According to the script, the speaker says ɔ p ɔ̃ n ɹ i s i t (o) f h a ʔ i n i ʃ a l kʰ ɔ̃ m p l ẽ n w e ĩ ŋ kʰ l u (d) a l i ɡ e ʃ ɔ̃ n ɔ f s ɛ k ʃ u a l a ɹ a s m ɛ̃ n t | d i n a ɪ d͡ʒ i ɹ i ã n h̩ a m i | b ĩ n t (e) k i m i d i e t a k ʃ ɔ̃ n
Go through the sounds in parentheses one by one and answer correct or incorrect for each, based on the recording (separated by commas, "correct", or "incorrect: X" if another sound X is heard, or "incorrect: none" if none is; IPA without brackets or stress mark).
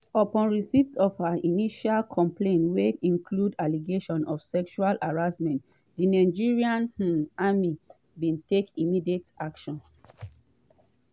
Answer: incorrect: ɔ, correct, correct